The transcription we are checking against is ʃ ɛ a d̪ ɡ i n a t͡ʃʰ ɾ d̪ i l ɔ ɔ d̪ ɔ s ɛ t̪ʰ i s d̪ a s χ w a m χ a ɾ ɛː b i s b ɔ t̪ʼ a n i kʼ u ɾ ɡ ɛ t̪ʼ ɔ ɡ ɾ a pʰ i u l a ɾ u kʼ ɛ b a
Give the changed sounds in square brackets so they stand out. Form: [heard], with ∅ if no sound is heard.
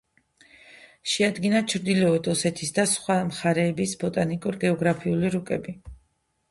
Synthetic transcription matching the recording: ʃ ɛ a d̪ ɡ i n a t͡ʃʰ ɾ d̪ i l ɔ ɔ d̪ ɔ s ɛ t̪ʰ i s d̪ a s χ w a m χ a ɾ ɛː b i s b ɔ t̪ʼ a n i kʼ u ɾ ɡ ɛ [∅] ɔ ɡ ɾ a pʰ i u l [i] ɾ u kʼ ɛ b [i]